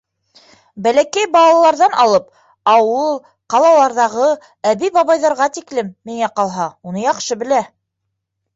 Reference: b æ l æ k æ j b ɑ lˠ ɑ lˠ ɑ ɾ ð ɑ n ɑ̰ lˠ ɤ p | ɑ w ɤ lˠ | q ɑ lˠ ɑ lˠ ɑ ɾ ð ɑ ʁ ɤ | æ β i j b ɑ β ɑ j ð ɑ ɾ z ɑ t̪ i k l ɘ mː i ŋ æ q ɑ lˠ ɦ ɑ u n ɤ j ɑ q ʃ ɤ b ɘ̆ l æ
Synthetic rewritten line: b æ l æ k æ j b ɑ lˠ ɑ lˠ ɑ ɾ ð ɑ n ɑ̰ lˠ ɤ p | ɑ w ɤ lˠ | q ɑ lˠ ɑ lˠ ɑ ɾ ð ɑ ʁ ɤ | æ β i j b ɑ β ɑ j ð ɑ ɾ ʁ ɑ t̪ i k l ɘ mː i ŋ æ q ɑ lˠ ɦ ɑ u n ɤ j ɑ q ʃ ɤ b ɘ̆ l æ